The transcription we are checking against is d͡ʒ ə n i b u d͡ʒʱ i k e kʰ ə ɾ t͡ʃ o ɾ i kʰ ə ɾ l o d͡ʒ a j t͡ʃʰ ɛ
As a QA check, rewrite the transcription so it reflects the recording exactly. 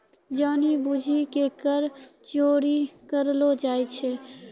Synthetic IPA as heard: d͡ʒ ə n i b u d͡ʒʱ i k e k ə ɾ t͡ʃ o ɾ i k ə ɾ l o d͡ʒ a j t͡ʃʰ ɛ